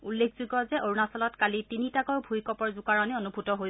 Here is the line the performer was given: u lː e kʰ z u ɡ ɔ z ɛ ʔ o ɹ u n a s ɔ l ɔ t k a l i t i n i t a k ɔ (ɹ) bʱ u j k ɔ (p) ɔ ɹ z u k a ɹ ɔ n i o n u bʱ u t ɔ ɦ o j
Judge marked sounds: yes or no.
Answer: yes, yes

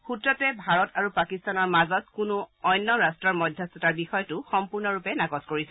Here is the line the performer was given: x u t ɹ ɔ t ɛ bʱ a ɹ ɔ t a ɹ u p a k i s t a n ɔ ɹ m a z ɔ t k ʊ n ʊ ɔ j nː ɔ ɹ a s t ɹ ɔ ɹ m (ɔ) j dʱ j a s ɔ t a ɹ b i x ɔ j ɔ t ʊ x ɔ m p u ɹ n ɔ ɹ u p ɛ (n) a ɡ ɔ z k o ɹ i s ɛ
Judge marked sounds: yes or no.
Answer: yes, yes

